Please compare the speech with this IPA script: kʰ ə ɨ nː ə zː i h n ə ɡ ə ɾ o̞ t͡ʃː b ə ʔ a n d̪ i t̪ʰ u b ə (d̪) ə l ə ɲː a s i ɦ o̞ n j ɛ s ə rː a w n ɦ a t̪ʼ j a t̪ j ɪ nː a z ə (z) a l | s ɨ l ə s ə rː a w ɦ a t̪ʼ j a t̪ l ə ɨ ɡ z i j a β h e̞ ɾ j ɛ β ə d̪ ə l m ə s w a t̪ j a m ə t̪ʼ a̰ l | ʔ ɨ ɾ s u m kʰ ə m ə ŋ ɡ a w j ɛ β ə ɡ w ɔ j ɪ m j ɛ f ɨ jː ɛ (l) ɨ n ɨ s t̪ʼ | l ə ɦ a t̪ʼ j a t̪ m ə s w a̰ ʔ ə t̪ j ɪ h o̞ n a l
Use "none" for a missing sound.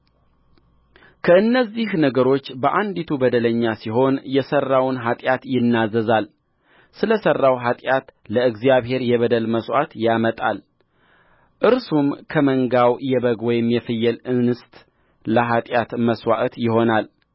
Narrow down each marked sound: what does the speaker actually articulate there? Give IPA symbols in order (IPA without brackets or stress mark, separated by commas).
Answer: d̪, z, l